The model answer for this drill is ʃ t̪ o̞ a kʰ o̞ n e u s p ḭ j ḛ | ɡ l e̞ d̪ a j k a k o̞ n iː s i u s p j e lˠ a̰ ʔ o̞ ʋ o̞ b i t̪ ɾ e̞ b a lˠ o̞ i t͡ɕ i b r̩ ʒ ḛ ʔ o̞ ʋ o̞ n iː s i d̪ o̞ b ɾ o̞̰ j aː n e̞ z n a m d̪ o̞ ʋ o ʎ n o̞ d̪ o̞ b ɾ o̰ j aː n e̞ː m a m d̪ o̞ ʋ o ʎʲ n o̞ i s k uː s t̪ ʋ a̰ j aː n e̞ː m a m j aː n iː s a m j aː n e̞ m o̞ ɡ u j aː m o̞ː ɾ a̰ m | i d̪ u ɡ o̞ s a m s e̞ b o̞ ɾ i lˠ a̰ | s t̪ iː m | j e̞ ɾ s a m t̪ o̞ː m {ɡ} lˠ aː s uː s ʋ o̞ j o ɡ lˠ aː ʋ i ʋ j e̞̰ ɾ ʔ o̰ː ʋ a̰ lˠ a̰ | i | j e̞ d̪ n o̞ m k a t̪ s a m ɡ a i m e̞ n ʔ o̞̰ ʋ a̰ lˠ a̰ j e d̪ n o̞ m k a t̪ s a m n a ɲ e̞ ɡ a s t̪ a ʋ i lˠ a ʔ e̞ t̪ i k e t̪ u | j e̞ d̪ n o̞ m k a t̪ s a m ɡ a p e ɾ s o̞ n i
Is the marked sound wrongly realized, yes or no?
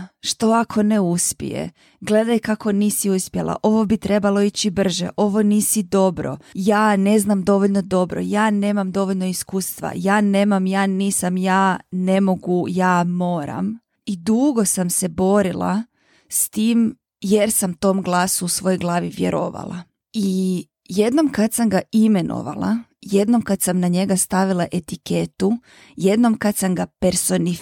no